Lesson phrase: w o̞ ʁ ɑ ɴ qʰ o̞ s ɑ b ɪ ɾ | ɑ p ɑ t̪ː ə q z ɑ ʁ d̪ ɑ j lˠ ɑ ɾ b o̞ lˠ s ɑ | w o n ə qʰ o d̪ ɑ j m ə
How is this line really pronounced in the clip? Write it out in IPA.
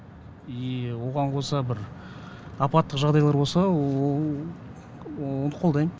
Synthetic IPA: w o̞ ʁ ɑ ɴ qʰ o̞ s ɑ b ɪ ɾ | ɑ p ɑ t̪ː ə q ʒ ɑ ʁ d̪ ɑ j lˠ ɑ ɾ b o̞ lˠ s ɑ | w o n ə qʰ o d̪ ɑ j m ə